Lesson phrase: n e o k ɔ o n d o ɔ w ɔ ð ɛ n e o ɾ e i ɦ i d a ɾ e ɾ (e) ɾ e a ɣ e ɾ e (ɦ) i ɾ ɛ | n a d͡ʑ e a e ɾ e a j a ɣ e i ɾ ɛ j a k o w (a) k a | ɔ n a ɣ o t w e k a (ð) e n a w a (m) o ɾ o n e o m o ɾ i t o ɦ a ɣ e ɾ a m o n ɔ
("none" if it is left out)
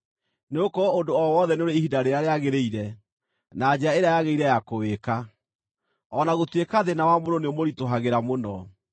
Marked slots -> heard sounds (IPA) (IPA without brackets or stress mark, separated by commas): a, none, e, ð, m